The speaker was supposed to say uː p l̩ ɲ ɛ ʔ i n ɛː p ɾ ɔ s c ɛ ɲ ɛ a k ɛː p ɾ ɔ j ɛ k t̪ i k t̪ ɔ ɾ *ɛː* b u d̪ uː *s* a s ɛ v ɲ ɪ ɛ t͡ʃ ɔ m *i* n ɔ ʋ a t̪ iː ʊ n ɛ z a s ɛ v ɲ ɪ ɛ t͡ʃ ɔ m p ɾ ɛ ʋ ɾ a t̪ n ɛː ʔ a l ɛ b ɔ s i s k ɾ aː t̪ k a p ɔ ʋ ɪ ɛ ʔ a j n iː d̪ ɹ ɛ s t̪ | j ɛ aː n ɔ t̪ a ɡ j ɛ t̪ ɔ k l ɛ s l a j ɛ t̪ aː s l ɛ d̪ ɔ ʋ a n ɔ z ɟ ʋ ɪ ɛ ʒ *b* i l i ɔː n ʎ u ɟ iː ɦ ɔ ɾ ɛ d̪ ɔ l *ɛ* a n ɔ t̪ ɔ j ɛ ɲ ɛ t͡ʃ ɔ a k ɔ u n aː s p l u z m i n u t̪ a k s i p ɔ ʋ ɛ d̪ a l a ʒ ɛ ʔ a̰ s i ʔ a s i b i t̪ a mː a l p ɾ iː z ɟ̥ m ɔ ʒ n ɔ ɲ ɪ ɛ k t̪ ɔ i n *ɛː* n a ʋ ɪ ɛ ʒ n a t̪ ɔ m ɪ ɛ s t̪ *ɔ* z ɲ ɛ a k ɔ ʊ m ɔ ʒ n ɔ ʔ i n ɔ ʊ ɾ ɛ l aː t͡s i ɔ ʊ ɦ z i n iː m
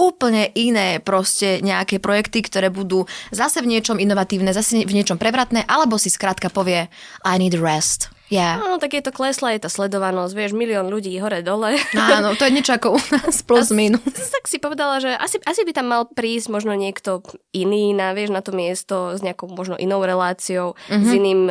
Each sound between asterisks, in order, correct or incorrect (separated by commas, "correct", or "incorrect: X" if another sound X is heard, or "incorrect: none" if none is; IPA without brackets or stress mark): correct, incorrect: z, correct, incorrect: m, correct, incorrect: iː, correct